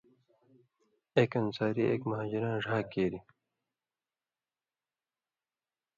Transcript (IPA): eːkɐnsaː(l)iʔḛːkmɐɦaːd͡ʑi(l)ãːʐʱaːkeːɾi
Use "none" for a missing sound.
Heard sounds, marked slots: ɾ, ɾ

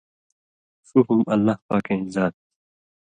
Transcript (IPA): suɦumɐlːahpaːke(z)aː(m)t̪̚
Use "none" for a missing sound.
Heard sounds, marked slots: z, none

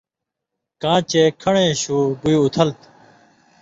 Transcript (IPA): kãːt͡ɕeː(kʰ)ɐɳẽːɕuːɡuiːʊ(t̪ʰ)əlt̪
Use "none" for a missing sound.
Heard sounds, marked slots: kʰ, t̪ʰ

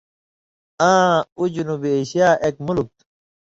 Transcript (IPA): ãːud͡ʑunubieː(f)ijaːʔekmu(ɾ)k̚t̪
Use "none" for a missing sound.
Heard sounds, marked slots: ɕ, l

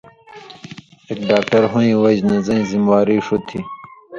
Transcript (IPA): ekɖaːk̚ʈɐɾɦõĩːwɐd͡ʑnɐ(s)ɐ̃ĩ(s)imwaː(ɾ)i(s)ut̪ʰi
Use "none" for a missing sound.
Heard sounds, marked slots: z, z, ɾ, ʂ

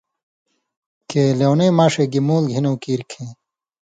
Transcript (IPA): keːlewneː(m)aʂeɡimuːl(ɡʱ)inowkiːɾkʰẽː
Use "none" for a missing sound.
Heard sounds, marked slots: m, ɡʱ

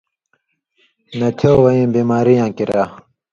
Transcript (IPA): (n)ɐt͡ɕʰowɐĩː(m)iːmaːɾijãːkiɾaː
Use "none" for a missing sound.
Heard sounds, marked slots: n, b

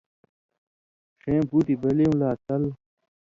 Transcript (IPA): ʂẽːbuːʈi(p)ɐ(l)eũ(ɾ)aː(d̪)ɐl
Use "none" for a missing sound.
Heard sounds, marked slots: b, l, l, t̪

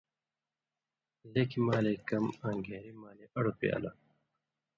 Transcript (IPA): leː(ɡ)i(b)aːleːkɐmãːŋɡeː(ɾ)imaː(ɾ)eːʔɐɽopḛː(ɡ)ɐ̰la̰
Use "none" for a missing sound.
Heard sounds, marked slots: k, m, ɾ, l, none

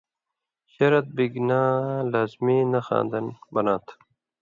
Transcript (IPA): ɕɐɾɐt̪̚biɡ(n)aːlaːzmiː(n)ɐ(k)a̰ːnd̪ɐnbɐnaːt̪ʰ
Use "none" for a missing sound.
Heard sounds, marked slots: n, n, x

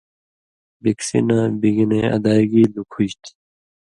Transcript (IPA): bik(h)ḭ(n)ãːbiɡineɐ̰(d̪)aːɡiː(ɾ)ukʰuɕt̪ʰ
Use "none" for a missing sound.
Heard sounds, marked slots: s, n, d̪, l

